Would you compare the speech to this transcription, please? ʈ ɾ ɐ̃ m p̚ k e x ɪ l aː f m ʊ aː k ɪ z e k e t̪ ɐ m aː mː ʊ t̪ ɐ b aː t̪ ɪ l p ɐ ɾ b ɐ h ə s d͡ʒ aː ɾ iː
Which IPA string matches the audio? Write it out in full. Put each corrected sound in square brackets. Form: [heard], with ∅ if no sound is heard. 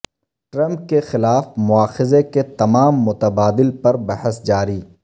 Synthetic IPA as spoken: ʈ ɾ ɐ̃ m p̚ k e x ɪ l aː f m ʊ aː [x] ɪ z e k e t̪ ɐ m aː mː ʊ t̪ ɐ b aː [d̪] ɪ l p ɐ ɾ b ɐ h ə s d͡ʒ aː ɾ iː